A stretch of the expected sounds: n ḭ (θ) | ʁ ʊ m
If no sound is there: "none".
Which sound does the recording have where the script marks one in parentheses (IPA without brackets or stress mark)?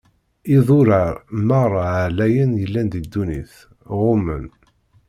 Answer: θ